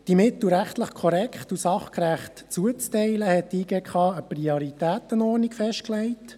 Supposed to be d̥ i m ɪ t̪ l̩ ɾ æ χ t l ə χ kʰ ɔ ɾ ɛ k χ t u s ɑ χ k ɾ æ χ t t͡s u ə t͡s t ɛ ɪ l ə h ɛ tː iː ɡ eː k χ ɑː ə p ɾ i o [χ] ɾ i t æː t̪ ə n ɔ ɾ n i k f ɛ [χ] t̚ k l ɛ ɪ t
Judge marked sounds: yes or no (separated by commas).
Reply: no, no